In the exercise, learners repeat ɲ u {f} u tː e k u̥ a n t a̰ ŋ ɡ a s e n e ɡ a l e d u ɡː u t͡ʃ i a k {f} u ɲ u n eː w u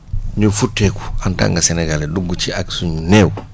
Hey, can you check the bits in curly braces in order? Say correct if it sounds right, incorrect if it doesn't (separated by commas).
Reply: correct, incorrect